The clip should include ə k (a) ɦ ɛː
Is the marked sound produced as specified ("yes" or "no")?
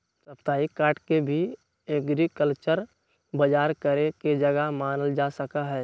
yes